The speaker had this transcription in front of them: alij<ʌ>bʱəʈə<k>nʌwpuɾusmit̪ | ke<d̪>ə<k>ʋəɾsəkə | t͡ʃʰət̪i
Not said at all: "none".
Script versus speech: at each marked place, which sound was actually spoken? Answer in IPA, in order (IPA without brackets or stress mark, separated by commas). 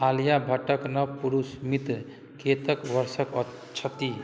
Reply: a, k, t̪, k